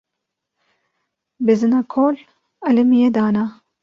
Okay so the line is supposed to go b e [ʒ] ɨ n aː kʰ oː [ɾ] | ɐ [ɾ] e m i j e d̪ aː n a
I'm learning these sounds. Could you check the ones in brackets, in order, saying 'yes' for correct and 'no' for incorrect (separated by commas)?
no, no, no